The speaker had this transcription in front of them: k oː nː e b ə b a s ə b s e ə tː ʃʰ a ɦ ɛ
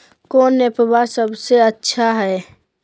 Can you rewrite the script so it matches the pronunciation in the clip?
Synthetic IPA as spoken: k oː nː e p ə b a s ə b s e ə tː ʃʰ a ɦ ɛ